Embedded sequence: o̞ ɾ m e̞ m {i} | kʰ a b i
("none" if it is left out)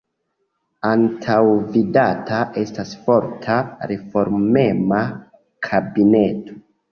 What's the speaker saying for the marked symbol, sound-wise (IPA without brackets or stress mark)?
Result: a